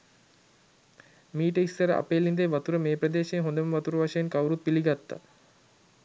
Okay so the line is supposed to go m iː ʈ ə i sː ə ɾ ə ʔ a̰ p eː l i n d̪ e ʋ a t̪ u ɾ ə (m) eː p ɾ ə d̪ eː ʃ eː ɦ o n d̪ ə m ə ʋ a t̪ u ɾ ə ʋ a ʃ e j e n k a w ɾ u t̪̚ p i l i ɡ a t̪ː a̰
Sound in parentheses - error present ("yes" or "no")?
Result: no